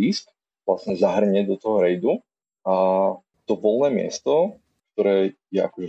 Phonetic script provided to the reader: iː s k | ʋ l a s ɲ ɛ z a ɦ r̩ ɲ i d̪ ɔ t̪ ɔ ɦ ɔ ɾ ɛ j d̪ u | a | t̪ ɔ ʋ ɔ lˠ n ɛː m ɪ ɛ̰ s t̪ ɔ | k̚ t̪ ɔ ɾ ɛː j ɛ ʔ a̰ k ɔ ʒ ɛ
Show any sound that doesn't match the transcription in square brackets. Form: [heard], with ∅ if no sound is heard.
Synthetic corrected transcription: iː s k | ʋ l a s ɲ ɛ z a ɦ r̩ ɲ [ɛ] d̪ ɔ t̪ ɔ ɦ ɔ ɾ ɛ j d̪ u | a | t̪ ɔ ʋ ɔ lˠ n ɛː m ɪ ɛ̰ s t̪ ɔ | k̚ t̪ ɔ ɾ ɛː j ɛ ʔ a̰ k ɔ ʒ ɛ